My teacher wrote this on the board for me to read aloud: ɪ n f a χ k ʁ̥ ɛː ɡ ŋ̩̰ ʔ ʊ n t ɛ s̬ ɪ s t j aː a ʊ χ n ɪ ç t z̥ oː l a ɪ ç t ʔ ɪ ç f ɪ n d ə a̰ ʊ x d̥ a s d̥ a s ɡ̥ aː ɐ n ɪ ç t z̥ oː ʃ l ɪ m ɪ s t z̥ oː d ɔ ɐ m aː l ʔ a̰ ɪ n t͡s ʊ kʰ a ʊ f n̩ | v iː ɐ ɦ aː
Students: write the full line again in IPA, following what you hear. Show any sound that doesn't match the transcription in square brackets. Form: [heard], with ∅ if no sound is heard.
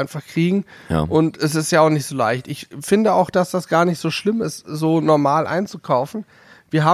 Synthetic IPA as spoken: ɪ n f a χ k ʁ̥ [iː] ɡ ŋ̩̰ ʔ ʊ n t ɛ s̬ ɪ s t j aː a ʊ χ n ɪ ç t z̥ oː l a ɪ ç t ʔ ɪ ç f ɪ n d ə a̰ ʊ x d̥ a s d̥ a s ɡ̥ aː ɐ n ɪ ç t z̥ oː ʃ l ɪ m ɪ s t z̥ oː [n] ɔ ɐ m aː l ʔ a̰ ɪ n t͡s [u] kʰ a ʊ f n̩ | v iː ɐ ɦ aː